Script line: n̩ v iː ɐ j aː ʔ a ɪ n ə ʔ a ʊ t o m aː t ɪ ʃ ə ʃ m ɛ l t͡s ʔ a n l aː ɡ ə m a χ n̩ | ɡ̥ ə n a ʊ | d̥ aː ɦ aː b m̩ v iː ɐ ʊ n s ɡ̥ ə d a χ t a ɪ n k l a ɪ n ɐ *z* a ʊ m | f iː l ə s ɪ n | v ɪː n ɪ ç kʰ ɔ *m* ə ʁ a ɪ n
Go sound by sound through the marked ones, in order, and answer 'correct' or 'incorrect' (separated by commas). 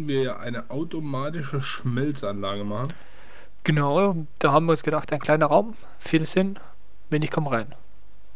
incorrect, correct